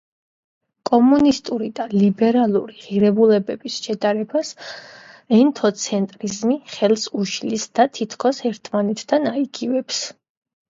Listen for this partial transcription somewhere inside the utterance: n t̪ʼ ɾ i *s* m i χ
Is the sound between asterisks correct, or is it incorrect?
incorrect